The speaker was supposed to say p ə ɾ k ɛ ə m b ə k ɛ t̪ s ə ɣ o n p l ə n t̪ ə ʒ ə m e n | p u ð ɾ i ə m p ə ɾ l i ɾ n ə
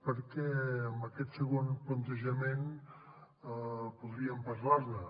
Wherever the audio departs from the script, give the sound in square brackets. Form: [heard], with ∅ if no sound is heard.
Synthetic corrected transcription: p ə ɾ k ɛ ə m b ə k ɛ t̪ s ə ɣ o n p l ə n t̪ ə ʒ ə m e n | p u ð ɾ i ə m p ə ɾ l [a] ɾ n ə